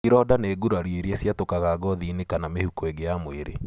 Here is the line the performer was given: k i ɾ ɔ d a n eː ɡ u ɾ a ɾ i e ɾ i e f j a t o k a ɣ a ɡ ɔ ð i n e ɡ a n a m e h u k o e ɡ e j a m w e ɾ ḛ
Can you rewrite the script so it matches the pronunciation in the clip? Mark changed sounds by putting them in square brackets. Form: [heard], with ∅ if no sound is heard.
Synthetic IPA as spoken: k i ɾ ɔ d a n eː ɡ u ɾ a ɾ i e ɾ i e [s] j a t o k a ɣ a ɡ ɔ ð i n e [k] a n a m e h u k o e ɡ e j a m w e ɾ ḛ